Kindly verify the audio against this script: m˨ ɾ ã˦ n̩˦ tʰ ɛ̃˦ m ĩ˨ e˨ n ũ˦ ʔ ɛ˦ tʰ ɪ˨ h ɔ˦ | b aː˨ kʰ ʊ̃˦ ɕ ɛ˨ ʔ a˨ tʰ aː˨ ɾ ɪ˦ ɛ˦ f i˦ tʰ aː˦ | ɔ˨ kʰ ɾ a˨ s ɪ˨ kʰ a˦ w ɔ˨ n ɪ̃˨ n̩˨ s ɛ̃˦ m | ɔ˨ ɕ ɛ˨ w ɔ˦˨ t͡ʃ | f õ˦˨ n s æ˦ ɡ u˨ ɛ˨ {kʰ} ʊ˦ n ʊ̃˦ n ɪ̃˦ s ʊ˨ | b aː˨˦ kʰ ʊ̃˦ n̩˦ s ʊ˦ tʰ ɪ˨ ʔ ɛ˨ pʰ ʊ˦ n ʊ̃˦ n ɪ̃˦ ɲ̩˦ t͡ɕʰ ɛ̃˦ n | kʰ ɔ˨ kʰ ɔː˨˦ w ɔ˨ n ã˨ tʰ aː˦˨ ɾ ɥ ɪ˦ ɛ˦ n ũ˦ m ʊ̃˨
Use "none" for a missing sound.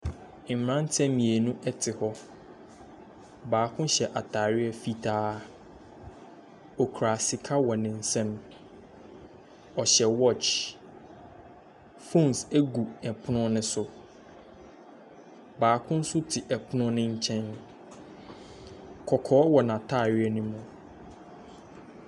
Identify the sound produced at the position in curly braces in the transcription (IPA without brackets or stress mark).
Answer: pʰ